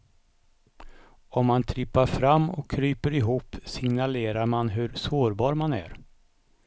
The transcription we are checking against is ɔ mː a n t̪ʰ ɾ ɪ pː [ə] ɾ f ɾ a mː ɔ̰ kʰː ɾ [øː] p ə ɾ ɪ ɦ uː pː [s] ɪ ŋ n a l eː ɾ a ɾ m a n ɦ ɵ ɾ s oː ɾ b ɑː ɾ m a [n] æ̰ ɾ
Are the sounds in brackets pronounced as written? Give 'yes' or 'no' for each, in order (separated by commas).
no, no, yes, yes